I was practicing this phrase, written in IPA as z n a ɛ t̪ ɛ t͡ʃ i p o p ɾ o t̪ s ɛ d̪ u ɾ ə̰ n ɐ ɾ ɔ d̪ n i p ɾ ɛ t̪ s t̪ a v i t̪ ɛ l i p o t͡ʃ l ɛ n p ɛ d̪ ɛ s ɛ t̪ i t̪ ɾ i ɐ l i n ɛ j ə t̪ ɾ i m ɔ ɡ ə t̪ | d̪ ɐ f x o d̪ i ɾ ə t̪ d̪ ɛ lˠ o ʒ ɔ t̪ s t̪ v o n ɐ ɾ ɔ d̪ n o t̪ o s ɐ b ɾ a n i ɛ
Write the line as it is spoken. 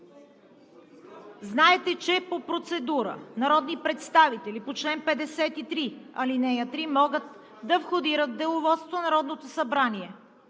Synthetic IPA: z n a ɛ t̪ ɛ t͡ʃ ɛ p o p ɾ o t̪ s ɛ d̪ u ɾ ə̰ n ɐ ɾ ɔ d̪ n i p ɾ ɛ t̪ s t̪ a v i t̪ ɛ l i p o t͡ʃ l ɛ n p ɛ d̪ ɛ s ɛ t̪ i t̪ ɾ i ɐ l i n ɛ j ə t̪ ɾ i m ɔ ɡ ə t̪ | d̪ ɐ f x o d̪ i ɾ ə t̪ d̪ ɛ lˠ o v ɔ t̪ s t̪ v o n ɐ ɾ ɔ d̪ n o t̪ o s ɐ b ɾ a n i ɛ